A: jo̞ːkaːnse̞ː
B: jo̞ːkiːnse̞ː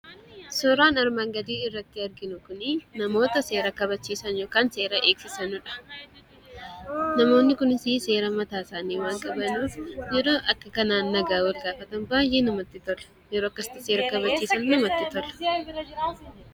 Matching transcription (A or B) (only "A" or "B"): A